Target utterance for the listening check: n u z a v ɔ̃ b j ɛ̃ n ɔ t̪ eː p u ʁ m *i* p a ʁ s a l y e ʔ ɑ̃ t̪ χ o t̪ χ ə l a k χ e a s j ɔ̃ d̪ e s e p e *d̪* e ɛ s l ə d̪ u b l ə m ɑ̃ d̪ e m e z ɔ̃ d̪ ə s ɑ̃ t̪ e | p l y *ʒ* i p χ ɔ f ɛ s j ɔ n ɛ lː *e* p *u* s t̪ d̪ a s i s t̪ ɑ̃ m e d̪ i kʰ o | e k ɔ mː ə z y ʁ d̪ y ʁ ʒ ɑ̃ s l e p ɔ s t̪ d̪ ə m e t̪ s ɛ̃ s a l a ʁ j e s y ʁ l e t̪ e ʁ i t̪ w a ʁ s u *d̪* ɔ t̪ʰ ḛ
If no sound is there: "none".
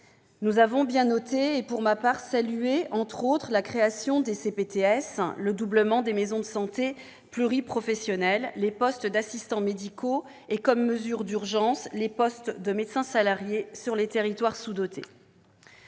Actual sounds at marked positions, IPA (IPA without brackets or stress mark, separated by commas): a, t̪, ʁ, e, ɔ, d̪